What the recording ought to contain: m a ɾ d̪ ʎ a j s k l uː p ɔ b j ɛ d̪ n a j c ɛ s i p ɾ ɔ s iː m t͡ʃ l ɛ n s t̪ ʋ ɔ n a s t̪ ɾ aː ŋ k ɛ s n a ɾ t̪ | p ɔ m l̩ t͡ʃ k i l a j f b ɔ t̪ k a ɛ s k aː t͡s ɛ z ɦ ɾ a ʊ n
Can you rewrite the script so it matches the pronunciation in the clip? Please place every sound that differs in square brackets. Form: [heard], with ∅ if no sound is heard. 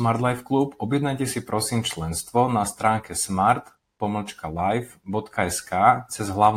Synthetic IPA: m a ɾ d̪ [l] a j [f] k l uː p ɔ b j ɛ d̪ n a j c ɛ s i p ɾ ɔ s iː m t͡ʃ l ɛ n s t̪ ʋ ɔ n a s t̪ ɾ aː ŋ k ɛ s [m] a ɾ t̪ | p ɔ m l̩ t͡ʃ k [a] l a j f b ɔ t̪ k a ɛ s k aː t͡s ɛ z ɦ [l] a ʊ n